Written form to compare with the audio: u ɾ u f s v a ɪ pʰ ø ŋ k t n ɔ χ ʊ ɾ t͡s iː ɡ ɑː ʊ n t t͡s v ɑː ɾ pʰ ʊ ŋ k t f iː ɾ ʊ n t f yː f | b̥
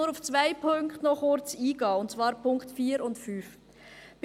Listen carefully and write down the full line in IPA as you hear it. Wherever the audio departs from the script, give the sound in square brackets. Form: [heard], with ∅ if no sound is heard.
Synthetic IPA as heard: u ɾ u f [t͡s] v a ɪ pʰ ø ŋ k t n ɔ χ ʊ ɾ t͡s iː ɡ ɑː ʊ n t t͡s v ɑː ɾ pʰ ʊ ŋ k t f iː ɾ ʊ n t f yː f | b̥